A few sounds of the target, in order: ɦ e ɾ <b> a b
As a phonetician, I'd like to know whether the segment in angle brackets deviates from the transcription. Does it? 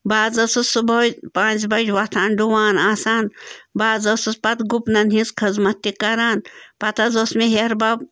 no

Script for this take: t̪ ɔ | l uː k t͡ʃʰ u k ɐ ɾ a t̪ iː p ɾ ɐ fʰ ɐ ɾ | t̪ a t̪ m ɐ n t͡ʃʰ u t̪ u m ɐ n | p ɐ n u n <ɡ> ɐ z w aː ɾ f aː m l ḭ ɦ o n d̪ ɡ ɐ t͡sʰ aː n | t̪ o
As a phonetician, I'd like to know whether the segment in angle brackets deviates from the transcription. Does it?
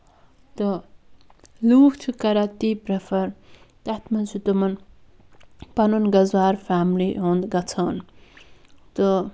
no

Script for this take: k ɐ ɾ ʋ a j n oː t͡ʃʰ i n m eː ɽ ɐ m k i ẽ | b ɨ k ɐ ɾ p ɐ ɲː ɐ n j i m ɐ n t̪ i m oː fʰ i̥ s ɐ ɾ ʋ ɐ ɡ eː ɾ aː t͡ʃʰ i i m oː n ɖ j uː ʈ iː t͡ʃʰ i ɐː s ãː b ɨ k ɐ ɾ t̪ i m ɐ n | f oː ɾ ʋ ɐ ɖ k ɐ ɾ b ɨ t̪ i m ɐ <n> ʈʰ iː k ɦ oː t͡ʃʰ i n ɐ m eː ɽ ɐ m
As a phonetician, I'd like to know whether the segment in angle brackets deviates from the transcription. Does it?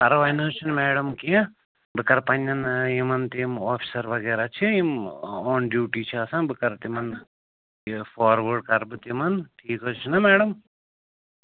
no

